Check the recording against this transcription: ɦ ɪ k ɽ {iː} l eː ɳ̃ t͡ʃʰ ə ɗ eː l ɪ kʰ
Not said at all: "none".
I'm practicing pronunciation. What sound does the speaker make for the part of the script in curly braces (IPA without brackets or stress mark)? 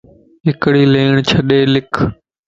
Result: iː